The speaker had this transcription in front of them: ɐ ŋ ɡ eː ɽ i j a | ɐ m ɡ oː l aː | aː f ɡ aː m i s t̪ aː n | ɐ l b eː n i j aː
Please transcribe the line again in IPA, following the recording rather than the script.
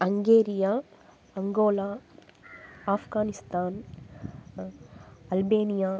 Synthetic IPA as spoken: ɐ ŋ ɡ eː ɾ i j a | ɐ ŋ ɡ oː l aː | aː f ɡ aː n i s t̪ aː n | ɐ l b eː n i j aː

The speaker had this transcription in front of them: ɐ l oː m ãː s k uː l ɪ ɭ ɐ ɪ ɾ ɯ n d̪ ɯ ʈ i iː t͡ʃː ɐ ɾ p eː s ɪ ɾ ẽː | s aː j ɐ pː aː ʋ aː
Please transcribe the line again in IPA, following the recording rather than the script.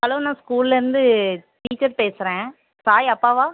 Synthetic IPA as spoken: ɐ l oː n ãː s k uː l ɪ l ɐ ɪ ɾ ɯ n d̪ ɯ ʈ i iː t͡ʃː ɐ ɾ p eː s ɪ ɾ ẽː | s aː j ɐ pː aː ʋ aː

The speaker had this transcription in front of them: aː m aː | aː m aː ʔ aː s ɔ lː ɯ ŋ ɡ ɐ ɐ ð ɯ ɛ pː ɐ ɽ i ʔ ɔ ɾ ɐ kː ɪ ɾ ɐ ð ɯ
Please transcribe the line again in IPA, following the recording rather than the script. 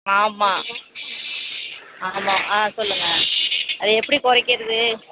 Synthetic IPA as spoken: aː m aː | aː m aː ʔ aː s ɔ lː ɯ ŋ ɡ ɐ ɐ ð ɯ ɛ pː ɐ ɽ i k ɔ ɾ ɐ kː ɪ ɾ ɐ ð ɯ

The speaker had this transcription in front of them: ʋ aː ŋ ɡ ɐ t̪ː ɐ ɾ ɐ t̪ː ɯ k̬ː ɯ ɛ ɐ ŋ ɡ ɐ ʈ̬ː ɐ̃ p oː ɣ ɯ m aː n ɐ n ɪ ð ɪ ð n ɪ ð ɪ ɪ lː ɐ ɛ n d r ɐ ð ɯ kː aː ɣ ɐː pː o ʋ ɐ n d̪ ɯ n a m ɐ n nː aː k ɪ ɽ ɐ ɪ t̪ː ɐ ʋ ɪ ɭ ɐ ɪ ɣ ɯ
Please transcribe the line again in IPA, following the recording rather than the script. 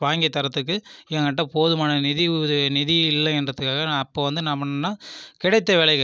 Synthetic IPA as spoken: ʋ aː ŋ ɡ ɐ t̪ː ɐ ɾ ɐ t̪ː ɯ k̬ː ɯ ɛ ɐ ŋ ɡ ɐ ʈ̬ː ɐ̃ p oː ð ɯ m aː n ɐ n ɪ ð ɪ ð n ɪ ð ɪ ɪ lː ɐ ɛ n d r ɐ ð ɯ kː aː ɣ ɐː pː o ʋ ɐ n d̪ ɯ n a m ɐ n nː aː k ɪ ɽ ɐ ɪ t̪ː ɐ ʋ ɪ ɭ ɐ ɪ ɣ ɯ

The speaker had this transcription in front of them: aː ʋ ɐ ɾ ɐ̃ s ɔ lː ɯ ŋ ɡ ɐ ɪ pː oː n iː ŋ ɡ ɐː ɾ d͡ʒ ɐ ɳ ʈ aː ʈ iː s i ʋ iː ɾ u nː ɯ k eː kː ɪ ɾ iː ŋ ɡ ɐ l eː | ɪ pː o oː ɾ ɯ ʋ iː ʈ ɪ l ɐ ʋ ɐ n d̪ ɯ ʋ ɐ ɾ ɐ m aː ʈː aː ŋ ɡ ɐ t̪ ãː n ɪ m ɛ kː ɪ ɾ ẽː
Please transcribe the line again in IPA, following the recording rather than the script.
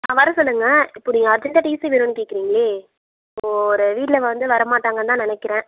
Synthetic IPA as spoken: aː ʋ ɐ ɾ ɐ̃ s ɔ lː ɯ ŋ ɡ ɐ ɪ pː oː n iː ŋ ɡ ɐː ɾ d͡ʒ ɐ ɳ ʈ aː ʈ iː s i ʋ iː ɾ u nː ɯ k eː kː ɪ ɾ iː ŋ ɡ ɐ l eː | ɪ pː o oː ɾ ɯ ʋ iː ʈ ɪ l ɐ ʋ ɐ n d̪ ɯ ʋ ɐ ɾ ɐ m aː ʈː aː ŋ ɡ ɐ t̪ ãː n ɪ n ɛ kː ɪ ɾ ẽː

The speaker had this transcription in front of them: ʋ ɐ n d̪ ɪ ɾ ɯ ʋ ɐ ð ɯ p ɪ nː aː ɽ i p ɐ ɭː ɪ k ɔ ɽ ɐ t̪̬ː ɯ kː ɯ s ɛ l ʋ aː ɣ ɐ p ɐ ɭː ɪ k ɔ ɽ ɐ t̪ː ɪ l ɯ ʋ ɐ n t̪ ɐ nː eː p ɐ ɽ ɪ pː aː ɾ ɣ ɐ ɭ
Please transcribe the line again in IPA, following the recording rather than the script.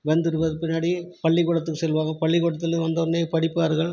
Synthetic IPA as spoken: ʋ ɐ n d̪ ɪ ɾ ɯ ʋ ɐ ð ɯ p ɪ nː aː ɽ i p ɐ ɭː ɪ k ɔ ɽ ɐ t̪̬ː ɯ kː ɯ s ɛ l ʋ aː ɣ ɐ p ɐ ɭː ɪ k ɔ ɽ ɐ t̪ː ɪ l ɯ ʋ ɐ n d̪ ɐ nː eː p ɐ ɽ ɪ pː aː ɾ ɣ ɐ ɭ

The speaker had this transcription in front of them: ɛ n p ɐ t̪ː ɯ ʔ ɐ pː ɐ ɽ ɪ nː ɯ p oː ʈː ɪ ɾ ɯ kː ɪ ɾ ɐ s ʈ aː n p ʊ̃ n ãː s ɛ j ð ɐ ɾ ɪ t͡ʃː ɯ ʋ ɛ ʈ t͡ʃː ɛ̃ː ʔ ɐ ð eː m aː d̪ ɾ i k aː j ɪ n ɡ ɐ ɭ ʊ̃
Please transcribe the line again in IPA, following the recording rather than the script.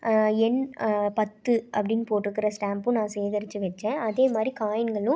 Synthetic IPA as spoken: ɛ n p ɐ t̪ː ɯ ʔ ɐ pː ɐ ɽ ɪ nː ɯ p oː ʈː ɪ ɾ ɯ kː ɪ ɾ ɐ s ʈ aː m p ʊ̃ n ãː s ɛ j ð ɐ ɾ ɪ t͡ʃː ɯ ʋ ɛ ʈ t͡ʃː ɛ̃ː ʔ ɐ ð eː m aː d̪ ɾ i k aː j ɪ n ɡ ɐ ɭ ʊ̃

